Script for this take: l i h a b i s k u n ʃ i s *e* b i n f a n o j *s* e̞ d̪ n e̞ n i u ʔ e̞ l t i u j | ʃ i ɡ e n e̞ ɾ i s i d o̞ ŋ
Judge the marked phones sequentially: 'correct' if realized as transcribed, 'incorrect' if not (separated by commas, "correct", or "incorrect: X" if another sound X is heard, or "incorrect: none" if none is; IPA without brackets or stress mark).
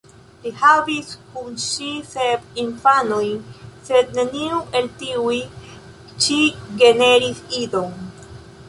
correct, correct